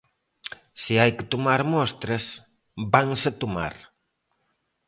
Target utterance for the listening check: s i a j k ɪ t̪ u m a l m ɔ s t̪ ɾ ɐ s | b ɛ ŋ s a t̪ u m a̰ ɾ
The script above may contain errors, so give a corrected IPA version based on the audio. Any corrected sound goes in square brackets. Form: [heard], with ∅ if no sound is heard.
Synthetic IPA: s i a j k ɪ t̪ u m a [ɾ] m ɔ s t̪ ɾ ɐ s | b [a] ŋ s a t̪ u m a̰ ɾ